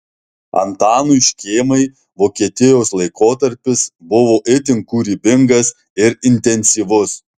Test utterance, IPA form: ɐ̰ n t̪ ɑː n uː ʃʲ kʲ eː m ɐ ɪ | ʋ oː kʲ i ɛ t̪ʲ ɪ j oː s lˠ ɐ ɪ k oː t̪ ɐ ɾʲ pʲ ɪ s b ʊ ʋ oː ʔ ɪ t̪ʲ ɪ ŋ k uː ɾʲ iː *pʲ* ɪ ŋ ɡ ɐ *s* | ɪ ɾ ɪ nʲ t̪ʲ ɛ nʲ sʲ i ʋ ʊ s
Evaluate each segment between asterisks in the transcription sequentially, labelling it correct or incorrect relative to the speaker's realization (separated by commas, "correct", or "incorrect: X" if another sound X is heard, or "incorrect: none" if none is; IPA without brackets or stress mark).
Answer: incorrect: bʲ, correct